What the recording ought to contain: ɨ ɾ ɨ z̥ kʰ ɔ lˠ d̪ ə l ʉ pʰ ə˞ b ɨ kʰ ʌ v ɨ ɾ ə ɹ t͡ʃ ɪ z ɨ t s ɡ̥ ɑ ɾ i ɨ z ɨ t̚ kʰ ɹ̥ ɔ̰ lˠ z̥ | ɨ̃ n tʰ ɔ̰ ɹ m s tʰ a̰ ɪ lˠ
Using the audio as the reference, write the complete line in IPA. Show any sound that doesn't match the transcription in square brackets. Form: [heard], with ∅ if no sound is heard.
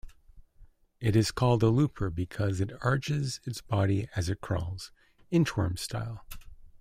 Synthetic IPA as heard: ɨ ɾ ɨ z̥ kʰ ɔ lˠ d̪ ə l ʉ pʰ ə˞ b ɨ kʰ ʌ [z] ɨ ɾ [ɑ] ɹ t͡ʃ ɪ z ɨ t s [b̥] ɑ ɾ i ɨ z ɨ t̚ kʰ ɹ̥ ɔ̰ lˠ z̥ | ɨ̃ n tʰ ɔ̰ ɹ m s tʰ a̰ ɪ lˠ